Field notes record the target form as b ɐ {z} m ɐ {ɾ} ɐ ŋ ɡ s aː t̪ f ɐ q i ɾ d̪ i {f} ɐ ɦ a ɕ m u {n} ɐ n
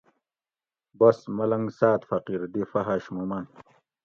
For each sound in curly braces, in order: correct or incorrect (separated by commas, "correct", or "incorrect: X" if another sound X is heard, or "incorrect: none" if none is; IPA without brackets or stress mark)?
incorrect: s, incorrect: l, correct, incorrect: m